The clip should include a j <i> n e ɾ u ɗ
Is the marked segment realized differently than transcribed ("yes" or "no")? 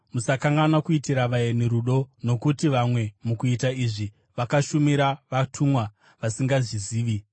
yes